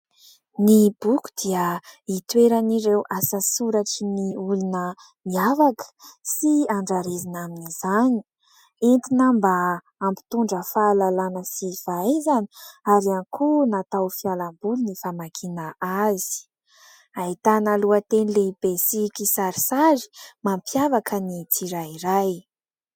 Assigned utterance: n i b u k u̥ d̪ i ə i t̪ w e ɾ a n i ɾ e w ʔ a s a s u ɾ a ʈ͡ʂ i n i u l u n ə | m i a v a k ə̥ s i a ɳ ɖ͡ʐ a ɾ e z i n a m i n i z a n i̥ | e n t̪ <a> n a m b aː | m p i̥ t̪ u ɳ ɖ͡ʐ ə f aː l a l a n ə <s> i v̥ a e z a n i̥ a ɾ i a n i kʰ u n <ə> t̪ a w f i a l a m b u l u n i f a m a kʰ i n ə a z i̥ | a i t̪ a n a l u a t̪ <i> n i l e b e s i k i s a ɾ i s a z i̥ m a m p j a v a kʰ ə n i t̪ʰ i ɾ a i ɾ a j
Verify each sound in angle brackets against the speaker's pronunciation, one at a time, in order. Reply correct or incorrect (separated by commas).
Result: incorrect, correct, incorrect, incorrect